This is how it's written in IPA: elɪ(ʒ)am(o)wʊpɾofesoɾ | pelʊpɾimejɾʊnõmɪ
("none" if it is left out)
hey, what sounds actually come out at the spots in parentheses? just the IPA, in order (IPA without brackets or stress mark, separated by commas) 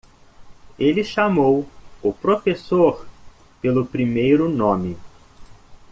ʃ, o